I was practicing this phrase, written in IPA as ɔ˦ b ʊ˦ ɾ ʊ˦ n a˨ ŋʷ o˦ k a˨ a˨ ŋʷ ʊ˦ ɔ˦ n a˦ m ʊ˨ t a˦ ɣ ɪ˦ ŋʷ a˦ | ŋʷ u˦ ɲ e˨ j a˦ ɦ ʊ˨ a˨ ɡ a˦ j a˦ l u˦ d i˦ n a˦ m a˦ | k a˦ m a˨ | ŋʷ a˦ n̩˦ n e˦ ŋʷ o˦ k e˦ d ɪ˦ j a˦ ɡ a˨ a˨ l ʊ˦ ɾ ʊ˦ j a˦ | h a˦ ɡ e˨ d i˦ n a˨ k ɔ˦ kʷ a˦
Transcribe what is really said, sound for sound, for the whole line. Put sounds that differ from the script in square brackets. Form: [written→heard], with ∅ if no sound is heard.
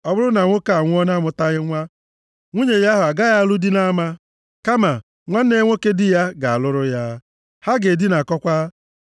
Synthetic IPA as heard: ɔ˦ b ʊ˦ ɾ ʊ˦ n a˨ ŋʷ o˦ k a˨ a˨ ŋʷ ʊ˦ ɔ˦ n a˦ m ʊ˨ t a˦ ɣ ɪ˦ ŋʷ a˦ | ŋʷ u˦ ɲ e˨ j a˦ ɦ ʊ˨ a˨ ɡ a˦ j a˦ l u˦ d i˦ n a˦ m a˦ | k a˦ m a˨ | ŋʷ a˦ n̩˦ n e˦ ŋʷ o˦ k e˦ d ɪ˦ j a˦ ɡ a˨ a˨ l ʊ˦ ɾ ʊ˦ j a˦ | h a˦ ɡ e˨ d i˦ n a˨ k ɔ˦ kʷ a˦